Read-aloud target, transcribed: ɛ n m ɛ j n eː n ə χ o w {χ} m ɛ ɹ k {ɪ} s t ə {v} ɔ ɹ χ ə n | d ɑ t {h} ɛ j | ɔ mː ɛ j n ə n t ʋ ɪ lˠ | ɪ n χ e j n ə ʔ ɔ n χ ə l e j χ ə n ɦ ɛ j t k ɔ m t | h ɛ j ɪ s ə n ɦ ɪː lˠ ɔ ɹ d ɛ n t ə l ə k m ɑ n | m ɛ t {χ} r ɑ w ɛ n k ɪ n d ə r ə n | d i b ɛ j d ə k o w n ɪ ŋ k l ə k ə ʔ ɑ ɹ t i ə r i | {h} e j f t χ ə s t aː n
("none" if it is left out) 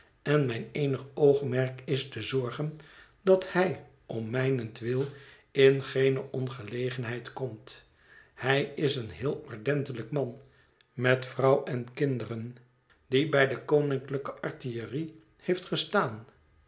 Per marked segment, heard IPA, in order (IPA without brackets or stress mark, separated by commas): χ, ɪ, z, h, f, h